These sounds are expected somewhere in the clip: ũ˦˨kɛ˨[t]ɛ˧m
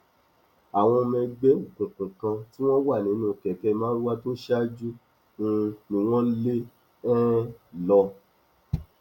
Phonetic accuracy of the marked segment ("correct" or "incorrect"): incorrect